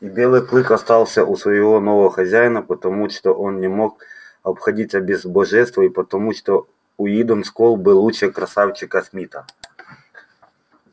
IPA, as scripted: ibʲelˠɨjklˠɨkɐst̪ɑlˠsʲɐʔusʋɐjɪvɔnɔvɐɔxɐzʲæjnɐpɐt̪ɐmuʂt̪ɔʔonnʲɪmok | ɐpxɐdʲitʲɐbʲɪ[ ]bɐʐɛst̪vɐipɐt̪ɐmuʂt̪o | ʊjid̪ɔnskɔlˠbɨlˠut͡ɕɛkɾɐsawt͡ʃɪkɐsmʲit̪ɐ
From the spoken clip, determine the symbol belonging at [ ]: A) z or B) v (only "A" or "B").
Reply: A